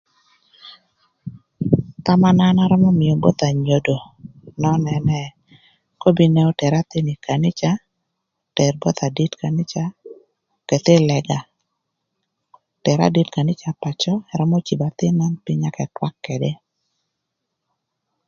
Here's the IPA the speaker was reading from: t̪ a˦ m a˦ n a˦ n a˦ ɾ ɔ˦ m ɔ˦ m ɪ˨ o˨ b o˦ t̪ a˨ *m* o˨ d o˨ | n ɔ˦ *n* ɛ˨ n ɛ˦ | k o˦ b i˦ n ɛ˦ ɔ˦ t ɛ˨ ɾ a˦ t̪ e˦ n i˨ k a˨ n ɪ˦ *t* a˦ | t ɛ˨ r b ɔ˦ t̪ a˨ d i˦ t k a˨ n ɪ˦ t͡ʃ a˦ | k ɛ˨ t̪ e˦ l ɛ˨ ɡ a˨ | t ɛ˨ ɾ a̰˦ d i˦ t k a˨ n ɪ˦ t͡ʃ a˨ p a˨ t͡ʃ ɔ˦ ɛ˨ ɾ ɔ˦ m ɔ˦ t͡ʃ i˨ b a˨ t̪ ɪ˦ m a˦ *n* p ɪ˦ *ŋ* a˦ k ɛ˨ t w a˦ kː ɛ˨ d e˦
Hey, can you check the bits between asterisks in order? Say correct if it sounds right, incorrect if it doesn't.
incorrect: ɲ, correct, incorrect: t͡ʃ, correct, incorrect: ɲ

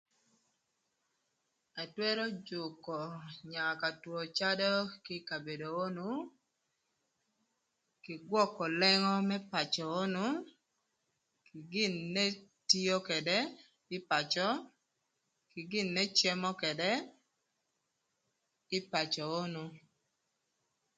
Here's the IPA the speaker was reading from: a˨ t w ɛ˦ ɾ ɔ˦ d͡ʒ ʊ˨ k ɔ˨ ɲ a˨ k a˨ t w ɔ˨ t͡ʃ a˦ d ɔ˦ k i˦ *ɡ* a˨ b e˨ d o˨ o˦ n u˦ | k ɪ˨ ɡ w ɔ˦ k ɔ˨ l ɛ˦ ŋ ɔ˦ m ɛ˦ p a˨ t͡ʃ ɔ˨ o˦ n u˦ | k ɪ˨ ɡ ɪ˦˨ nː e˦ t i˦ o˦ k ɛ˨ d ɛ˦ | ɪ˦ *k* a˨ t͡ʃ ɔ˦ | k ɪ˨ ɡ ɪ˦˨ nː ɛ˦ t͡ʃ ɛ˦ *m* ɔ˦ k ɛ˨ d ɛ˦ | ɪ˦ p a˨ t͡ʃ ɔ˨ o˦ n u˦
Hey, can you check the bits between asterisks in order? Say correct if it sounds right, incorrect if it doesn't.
incorrect: k, incorrect: p, correct

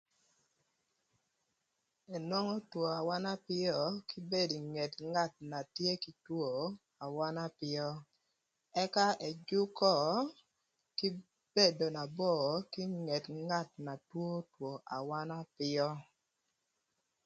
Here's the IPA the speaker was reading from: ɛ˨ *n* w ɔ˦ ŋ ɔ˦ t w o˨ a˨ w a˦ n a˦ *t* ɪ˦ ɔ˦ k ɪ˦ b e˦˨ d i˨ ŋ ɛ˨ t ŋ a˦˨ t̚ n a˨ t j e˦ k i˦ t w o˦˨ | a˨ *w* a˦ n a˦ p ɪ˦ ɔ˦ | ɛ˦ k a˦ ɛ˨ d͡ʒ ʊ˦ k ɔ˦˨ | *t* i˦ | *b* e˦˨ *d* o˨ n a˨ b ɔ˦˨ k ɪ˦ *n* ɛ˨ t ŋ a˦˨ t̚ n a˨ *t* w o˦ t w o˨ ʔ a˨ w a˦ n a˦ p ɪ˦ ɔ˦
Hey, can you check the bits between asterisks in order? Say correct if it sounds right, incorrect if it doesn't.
correct, incorrect: p, correct, incorrect: k, correct, correct, incorrect: ŋ, correct

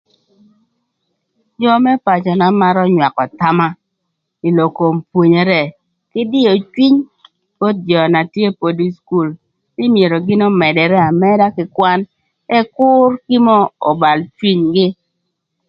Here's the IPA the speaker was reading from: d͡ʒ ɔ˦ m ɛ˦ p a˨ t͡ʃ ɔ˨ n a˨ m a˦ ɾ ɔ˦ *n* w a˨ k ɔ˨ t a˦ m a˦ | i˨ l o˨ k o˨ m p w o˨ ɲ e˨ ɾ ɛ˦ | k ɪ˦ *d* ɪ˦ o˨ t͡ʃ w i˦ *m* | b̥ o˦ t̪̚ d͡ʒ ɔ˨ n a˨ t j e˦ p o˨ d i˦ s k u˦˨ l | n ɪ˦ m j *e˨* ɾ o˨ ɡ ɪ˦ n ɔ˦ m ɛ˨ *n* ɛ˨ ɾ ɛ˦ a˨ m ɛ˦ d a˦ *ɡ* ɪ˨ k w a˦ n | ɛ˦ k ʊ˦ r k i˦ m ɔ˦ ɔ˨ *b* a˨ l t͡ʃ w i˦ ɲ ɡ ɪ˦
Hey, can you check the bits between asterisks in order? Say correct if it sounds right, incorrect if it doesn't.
incorrect: ɲ, correct, incorrect: ɲ, correct, incorrect: d, incorrect: k, correct

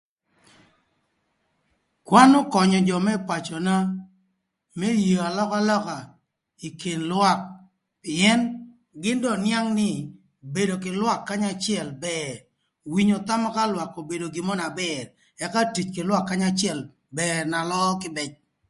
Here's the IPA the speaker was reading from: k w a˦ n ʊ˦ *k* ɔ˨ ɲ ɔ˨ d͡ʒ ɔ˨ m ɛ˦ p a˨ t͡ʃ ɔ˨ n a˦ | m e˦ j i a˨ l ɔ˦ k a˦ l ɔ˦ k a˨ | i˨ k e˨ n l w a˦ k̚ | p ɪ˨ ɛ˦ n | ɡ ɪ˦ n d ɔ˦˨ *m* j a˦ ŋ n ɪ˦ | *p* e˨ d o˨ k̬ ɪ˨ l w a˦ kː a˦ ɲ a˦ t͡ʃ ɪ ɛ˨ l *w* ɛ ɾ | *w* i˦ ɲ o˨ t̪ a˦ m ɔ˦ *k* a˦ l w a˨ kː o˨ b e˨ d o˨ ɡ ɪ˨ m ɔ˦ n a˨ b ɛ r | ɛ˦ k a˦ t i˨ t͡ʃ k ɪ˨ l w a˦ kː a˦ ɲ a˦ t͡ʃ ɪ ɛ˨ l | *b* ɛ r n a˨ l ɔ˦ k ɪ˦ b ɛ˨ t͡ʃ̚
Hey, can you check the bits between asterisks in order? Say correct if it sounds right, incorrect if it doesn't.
correct, incorrect: n, incorrect: b, incorrect: b, correct, correct, correct

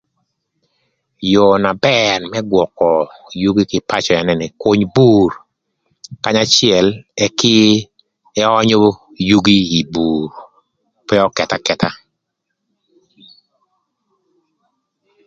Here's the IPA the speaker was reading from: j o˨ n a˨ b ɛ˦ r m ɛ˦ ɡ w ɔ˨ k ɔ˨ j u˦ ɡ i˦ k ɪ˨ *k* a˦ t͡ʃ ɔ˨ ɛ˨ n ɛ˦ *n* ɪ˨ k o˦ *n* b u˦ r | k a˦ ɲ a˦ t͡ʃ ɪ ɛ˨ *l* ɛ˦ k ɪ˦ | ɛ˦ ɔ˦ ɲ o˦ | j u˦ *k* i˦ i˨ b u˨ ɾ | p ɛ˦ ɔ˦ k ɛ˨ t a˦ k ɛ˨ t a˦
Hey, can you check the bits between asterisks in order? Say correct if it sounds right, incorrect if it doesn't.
incorrect: p, correct, incorrect: ɲ, correct, incorrect: ɡ

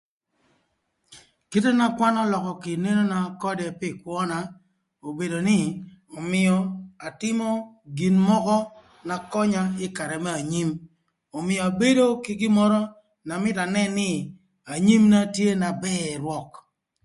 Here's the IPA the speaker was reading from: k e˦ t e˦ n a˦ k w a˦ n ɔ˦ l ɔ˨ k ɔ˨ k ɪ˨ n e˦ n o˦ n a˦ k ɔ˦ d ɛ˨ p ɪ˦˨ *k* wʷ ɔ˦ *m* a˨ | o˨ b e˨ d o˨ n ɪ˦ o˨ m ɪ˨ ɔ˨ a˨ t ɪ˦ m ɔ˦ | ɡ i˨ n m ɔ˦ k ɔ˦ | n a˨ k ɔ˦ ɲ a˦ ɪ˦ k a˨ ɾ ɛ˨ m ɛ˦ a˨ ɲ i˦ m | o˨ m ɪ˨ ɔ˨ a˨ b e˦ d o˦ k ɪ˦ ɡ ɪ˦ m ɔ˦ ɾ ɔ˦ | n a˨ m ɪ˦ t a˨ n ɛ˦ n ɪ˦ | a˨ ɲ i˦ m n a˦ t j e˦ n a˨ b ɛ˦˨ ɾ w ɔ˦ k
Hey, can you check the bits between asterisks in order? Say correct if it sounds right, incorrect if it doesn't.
correct, incorrect: n

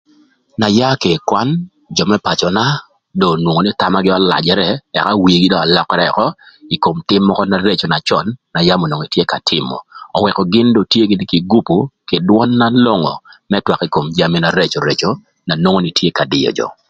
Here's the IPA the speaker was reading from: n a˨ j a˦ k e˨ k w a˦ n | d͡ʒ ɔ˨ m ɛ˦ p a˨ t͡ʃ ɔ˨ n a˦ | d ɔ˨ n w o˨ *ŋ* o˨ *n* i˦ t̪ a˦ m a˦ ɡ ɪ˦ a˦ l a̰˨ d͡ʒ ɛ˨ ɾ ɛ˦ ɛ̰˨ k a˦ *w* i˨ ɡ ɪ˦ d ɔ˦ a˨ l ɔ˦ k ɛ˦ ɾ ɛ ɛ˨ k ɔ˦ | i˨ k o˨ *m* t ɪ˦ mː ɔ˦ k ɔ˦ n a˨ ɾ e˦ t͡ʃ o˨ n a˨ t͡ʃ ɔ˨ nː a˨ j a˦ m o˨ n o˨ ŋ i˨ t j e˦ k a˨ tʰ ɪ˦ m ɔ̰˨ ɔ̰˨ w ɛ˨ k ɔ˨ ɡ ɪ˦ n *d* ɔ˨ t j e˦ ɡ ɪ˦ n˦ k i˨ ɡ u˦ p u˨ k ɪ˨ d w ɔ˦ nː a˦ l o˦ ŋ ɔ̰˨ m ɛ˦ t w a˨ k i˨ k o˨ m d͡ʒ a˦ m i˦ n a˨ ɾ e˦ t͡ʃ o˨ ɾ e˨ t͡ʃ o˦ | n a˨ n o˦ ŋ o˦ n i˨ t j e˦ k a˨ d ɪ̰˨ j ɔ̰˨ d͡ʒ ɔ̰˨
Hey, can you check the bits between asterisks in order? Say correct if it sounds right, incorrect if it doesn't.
correct, correct, correct, correct, correct

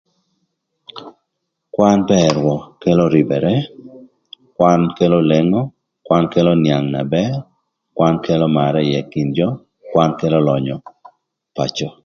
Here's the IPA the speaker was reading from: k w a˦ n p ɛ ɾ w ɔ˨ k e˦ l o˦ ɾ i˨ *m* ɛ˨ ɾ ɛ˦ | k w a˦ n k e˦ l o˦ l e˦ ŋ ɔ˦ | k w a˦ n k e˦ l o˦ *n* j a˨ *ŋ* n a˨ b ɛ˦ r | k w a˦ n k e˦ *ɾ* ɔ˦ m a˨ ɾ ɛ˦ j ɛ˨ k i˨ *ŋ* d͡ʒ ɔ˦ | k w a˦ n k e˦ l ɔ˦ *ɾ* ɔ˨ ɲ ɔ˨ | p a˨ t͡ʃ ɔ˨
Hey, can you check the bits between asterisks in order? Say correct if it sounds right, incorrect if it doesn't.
incorrect: b, correct, correct, incorrect: l, incorrect: n, incorrect: l

